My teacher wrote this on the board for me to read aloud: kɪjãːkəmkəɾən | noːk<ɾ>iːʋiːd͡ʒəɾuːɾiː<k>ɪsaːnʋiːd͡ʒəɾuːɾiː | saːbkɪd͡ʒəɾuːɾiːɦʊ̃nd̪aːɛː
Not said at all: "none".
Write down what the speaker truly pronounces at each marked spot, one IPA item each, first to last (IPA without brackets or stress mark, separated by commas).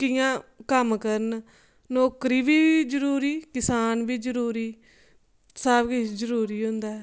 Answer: ɾ, k